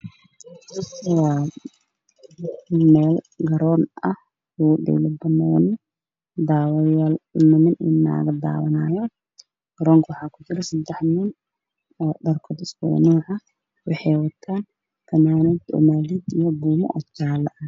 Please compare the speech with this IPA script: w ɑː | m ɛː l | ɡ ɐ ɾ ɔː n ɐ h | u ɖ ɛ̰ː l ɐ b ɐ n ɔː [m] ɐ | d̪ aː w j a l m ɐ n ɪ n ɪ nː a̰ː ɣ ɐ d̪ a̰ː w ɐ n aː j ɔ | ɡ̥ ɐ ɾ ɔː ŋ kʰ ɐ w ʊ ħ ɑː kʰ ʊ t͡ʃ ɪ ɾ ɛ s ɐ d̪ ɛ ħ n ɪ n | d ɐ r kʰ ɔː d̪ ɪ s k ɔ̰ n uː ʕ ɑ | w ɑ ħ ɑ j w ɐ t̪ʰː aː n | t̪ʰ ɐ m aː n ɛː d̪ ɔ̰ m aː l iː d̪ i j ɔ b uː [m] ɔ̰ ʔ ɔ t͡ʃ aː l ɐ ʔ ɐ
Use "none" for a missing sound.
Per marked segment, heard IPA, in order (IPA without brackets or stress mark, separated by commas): n, m